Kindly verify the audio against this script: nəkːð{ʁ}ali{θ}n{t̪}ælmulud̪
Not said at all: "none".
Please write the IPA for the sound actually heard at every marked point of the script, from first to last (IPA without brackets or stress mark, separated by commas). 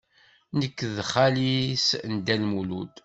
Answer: χ, s, d̪